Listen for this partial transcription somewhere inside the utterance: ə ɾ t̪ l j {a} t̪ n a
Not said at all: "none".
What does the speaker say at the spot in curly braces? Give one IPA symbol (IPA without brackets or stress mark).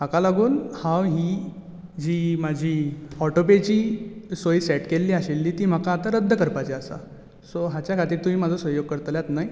a